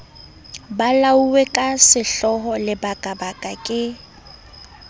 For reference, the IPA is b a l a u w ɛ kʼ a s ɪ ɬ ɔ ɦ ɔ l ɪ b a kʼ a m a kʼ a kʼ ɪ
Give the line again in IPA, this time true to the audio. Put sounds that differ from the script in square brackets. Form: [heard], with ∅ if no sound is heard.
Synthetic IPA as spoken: b a l a u w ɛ kʼ a s ɪ ɬ ɔ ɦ ɔ l ɪ b a kʼ a [b] a kʼ a kʼ ɪ